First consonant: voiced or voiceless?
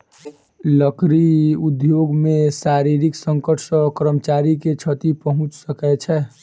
voiced